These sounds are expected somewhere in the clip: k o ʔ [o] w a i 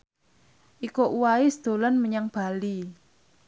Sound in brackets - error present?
yes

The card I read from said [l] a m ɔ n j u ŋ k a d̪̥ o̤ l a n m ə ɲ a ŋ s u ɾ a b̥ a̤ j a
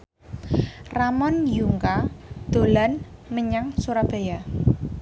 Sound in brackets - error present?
yes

